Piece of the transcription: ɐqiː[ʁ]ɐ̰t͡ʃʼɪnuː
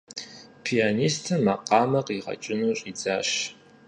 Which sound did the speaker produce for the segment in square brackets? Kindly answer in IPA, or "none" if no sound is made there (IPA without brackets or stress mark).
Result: ʁ